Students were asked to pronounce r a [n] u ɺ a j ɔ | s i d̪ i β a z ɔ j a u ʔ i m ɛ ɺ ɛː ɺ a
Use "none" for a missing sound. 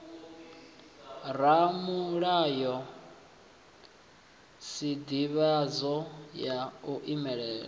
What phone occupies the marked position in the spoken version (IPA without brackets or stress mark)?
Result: m